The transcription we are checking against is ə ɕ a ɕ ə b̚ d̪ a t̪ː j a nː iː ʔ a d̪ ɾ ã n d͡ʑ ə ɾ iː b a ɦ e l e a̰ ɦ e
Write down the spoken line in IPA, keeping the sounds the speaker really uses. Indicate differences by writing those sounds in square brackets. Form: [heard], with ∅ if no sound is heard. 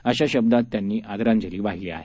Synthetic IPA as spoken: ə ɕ a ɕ ə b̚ d̪ a t̪ː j a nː iː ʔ a d̪ ɾ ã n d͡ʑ ə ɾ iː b a ɦ [i] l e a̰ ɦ e